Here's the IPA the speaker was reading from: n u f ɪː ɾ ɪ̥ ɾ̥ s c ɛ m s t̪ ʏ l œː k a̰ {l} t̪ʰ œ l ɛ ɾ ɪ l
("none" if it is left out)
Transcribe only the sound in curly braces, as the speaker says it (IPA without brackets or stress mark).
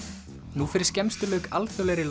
l